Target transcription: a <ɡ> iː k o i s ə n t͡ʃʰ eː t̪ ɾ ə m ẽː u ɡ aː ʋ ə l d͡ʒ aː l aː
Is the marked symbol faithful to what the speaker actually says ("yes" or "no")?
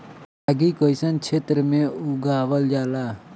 yes